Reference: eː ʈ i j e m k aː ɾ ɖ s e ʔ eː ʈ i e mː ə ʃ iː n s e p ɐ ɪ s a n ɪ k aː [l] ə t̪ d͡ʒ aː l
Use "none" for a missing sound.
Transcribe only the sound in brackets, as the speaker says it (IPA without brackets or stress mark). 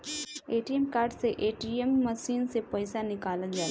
l